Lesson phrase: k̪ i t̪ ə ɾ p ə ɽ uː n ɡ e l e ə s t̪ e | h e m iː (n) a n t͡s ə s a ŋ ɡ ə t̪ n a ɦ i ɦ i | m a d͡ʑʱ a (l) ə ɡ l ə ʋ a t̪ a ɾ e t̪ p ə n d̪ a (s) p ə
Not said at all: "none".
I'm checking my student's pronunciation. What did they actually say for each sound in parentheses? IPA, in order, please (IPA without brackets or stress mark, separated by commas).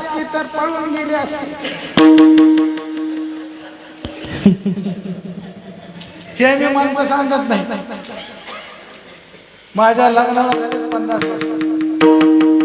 m, l, s